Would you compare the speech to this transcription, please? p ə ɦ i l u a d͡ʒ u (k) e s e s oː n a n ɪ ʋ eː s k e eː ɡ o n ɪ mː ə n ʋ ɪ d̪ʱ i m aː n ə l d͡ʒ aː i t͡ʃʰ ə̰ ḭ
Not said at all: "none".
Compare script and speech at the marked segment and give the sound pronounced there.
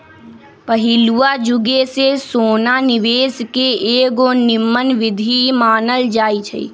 ɡ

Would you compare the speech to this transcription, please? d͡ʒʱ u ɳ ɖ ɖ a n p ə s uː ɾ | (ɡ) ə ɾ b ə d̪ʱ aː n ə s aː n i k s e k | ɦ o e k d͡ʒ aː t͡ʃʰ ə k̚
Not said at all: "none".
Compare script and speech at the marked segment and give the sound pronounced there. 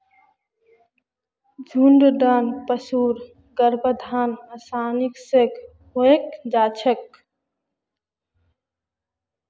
ɡ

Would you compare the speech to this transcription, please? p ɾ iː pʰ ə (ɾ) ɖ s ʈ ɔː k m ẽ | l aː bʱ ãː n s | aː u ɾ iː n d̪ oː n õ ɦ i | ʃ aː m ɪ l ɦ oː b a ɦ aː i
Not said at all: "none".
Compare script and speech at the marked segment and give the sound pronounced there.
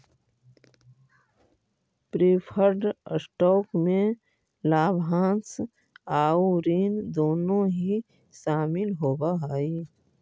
ɾ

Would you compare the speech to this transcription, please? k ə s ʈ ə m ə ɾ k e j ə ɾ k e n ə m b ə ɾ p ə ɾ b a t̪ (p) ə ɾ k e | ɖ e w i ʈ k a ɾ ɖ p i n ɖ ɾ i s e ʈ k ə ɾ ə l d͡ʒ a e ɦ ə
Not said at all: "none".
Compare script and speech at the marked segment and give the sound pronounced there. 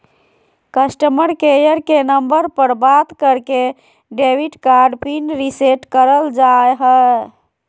k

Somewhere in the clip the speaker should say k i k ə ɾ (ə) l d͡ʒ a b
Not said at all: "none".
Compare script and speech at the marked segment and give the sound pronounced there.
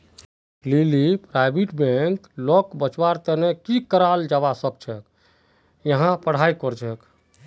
a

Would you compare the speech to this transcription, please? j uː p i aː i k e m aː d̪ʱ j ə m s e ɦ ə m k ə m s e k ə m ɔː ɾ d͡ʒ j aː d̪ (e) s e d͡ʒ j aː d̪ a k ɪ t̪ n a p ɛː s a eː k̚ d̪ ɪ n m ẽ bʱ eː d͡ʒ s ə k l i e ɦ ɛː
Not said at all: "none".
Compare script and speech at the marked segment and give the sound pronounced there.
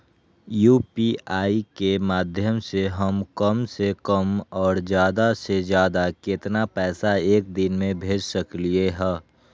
a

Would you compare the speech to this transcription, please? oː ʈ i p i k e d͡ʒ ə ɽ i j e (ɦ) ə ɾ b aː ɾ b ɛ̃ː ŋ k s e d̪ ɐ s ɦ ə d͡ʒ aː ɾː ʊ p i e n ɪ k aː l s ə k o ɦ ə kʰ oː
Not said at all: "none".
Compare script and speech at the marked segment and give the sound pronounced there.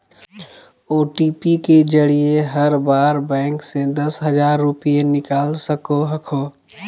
ɦ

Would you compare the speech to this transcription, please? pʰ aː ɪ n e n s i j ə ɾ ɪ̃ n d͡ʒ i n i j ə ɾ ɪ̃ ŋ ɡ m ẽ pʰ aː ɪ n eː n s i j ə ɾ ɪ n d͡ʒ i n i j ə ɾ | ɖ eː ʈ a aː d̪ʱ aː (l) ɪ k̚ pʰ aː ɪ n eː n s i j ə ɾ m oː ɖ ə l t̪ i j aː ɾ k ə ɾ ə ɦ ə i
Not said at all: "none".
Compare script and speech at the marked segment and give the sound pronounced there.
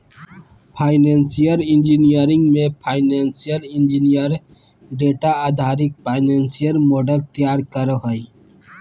ɾ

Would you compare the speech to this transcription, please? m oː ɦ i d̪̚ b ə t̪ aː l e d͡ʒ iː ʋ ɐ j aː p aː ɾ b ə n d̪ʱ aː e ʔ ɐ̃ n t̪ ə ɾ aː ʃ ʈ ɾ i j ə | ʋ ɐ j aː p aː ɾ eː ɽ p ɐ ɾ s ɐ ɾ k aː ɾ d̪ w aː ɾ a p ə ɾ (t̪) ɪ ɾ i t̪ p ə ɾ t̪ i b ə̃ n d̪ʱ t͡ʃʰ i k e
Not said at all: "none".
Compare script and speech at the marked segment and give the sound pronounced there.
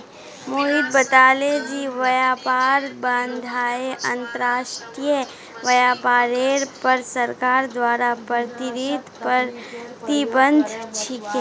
t̪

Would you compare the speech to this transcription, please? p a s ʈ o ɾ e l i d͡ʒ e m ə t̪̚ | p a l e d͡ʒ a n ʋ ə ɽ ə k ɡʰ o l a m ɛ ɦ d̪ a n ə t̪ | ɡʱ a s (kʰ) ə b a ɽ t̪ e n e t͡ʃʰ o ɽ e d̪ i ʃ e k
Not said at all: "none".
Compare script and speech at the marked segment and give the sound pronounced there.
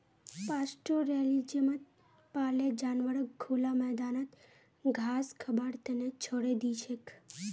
kʰ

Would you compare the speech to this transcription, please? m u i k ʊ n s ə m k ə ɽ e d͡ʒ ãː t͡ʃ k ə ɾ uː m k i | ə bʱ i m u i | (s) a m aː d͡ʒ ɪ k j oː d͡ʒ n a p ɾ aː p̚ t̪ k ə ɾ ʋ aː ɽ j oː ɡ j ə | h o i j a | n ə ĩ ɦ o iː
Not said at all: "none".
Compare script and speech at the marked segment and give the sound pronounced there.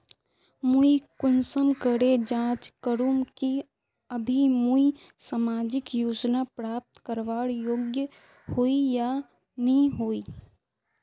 s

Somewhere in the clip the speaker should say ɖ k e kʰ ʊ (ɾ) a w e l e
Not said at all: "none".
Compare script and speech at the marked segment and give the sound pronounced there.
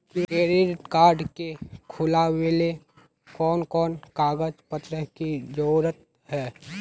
l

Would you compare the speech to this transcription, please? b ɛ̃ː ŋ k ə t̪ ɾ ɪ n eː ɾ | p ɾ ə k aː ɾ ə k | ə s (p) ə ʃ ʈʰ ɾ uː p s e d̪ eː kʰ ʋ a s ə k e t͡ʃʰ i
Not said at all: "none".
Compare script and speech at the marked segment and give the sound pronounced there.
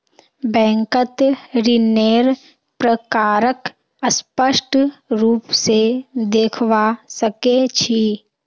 p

